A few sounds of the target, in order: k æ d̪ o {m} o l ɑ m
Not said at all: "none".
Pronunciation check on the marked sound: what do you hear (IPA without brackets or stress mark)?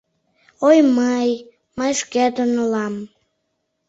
n